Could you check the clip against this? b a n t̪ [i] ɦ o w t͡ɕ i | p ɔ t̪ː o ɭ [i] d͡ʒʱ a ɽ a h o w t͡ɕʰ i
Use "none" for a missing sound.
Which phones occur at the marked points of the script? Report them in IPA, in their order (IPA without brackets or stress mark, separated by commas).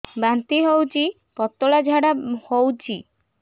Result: i, a